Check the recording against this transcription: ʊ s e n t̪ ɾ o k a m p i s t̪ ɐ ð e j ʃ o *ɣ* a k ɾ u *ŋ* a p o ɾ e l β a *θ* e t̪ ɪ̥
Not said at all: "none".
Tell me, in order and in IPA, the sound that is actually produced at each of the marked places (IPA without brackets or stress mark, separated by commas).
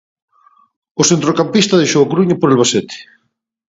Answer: w, ɲ, s